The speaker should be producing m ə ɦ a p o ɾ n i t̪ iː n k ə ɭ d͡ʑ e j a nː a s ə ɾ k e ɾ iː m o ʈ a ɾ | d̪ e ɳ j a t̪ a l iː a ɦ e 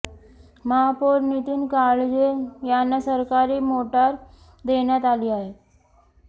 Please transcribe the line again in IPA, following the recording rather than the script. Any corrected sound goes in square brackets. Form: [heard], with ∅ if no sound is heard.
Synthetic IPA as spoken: m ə ɦ a p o ɾ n i t̪ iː n k [a] ɭ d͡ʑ e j a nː a s ə ɾ k [a] ɾ iː m o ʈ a ɾ | d̪ e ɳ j a t̪ a l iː a ɦ e